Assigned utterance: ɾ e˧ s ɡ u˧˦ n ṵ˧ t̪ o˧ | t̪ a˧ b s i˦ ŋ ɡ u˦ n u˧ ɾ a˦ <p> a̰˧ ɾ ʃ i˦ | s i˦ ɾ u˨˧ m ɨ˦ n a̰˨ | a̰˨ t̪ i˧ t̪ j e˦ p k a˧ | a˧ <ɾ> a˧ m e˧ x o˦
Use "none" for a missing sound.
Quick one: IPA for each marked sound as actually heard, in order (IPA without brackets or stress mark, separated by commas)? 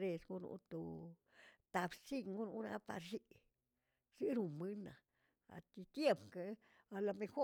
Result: p, l